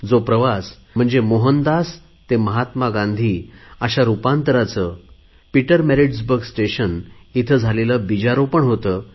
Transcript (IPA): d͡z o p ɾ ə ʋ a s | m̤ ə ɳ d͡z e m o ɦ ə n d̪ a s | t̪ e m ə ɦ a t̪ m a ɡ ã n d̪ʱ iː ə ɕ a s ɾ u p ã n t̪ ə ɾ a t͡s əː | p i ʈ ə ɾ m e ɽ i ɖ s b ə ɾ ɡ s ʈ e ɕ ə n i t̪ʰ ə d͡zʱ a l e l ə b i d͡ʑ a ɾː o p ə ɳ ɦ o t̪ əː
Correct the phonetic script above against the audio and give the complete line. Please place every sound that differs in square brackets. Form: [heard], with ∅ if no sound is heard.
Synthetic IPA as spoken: d͡z o p ɾ ə ʋ a s | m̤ ə ɳ d͡z e m o ɦ ə n d̪ a s | t̪ e m ə ɦ a t̪ m a ɡ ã n d̪ʱ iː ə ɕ a [∅] ɾ u p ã n t̪ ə ɾ a t͡s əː | p i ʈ ə ɾ m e [ɾ] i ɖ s b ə ɾ ɡ s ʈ e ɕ ə n i t̪ʰ ə d͡zʱ a l e l ə b i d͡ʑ a [ɾ] o p ə ɳ ɦ o t̪ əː